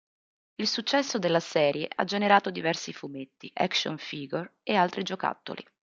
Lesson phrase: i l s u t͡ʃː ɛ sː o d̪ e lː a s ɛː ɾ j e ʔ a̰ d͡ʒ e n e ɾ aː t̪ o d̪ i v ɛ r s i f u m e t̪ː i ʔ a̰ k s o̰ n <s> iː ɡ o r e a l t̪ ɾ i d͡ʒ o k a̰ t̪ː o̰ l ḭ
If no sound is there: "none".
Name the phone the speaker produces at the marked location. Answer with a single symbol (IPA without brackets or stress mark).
f